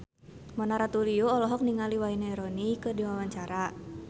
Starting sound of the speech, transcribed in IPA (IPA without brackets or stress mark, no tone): m